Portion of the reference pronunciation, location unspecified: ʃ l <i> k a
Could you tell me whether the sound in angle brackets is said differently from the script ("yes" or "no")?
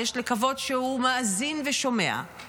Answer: yes